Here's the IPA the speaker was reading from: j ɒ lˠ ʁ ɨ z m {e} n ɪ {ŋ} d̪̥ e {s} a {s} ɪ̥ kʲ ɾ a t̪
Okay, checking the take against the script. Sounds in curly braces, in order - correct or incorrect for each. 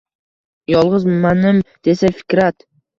incorrect, incorrect, correct, incorrect

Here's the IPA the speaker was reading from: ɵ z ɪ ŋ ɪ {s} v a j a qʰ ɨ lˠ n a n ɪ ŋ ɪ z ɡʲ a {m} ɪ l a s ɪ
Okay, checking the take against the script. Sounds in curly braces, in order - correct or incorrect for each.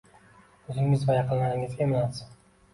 incorrect, correct

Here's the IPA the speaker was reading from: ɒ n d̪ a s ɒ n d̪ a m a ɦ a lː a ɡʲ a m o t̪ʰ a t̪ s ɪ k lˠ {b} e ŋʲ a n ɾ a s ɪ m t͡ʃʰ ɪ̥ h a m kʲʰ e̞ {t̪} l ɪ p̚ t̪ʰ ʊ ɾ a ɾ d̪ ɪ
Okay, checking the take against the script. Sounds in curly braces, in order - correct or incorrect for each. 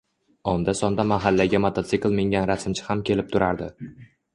incorrect, incorrect

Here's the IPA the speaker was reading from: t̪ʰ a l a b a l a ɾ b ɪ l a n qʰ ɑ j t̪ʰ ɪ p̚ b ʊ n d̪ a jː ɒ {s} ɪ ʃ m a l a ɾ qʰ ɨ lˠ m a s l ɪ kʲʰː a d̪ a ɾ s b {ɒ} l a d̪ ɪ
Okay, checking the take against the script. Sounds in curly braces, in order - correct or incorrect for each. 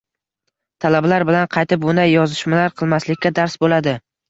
incorrect, incorrect

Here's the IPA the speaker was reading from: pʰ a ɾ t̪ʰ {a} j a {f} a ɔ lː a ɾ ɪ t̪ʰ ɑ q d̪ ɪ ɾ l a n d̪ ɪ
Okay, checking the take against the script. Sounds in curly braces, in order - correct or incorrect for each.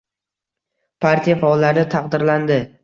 incorrect, correct

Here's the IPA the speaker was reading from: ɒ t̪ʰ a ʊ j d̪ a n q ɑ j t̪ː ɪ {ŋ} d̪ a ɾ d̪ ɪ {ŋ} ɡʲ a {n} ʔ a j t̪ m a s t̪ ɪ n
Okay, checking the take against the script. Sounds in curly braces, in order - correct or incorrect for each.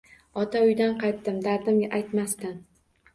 incorrect, incorrect, incorrect

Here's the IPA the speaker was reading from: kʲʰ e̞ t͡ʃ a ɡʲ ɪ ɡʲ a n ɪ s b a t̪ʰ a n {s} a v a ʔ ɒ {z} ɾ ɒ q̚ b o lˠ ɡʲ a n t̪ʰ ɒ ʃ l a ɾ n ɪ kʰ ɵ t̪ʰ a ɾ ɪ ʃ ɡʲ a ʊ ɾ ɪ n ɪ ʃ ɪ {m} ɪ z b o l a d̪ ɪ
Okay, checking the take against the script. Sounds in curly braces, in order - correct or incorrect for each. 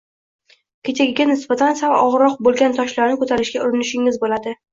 correct, incorrect, incorrect

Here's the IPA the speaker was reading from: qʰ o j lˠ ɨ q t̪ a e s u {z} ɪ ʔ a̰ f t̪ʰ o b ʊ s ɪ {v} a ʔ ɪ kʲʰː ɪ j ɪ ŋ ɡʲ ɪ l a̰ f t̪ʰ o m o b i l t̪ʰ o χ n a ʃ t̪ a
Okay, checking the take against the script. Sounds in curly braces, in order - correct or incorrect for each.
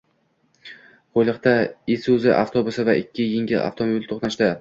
correct, correct

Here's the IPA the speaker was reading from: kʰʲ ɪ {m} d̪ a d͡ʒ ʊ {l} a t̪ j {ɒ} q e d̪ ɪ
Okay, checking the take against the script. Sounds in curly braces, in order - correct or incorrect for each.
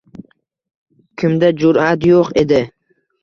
correct, incorrect, incorrect

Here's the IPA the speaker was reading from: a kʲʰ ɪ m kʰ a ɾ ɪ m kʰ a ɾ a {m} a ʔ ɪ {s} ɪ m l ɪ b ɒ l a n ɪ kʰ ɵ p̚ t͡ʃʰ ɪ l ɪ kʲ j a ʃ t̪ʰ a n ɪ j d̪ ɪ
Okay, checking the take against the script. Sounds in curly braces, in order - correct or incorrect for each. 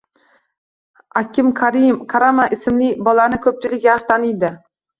correct, correct

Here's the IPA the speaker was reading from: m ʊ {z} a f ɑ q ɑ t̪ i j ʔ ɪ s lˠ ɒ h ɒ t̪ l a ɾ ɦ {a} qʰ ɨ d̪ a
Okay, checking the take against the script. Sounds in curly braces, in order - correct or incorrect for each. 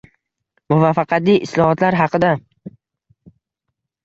incorrect, incorrect

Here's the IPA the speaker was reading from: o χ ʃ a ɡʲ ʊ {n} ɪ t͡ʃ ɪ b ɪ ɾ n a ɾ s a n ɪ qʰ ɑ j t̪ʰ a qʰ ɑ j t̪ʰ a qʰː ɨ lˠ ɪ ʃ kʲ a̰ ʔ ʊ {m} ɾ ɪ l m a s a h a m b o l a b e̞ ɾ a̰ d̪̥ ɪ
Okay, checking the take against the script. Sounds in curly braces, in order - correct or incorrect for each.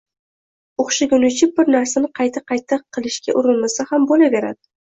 correct, incorrect

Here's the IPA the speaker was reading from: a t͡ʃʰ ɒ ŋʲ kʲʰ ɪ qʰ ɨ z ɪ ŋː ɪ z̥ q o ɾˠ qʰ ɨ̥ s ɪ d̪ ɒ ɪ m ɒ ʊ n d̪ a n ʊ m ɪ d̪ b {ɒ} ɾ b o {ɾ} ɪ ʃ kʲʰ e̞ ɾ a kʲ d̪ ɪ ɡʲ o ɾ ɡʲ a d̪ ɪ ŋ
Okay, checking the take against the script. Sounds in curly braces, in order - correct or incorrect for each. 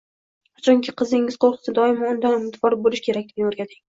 correct, incorrect

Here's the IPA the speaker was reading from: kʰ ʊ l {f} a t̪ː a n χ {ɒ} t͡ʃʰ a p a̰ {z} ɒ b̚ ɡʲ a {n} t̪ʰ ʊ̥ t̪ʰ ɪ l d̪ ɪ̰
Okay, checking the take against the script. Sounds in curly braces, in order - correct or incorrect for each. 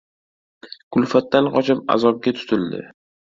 correct, correct, correct, incorrect

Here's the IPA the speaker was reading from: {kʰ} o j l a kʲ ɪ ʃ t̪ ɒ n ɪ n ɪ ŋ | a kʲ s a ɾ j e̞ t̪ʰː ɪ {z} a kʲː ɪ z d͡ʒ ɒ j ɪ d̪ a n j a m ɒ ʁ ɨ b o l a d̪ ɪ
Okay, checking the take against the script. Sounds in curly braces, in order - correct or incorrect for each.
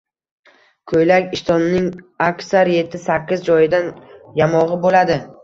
correct, incorrect

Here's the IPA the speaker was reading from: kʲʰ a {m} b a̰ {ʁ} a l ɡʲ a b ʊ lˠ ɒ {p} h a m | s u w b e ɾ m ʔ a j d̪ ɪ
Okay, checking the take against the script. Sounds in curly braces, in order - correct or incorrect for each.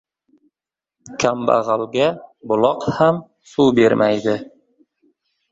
correct, correct, incorrect

